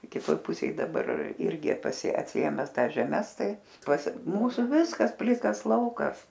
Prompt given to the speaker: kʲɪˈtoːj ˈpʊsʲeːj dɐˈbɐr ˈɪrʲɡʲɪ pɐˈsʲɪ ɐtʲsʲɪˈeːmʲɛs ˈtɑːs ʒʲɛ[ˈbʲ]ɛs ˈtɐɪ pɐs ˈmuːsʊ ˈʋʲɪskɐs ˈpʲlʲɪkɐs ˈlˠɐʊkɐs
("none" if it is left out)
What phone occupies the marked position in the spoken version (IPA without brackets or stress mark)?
mʲ